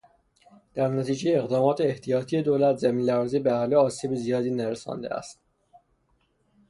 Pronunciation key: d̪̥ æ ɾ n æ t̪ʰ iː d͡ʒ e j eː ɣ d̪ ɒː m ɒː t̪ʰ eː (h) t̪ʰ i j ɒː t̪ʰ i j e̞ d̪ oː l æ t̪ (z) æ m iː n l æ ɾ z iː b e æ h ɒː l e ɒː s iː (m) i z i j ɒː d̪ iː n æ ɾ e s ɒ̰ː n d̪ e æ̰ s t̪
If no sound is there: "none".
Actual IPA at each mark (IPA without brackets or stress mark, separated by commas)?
h, z, b